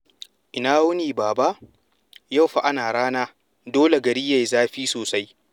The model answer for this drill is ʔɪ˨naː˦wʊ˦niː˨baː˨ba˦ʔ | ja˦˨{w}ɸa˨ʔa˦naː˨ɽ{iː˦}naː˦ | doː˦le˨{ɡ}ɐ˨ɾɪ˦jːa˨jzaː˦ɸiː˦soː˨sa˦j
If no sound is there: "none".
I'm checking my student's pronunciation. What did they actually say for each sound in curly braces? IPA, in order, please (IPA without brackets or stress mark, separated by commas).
w, aː˦, ɡ